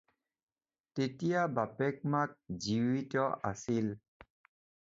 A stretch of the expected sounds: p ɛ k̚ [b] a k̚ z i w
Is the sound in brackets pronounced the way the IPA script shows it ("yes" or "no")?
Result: no